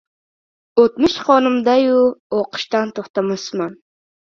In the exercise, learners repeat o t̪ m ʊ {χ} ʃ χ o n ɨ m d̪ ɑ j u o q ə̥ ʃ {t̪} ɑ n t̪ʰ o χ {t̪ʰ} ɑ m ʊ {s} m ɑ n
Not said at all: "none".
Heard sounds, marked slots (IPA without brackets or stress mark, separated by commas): none, t̪, t̪, s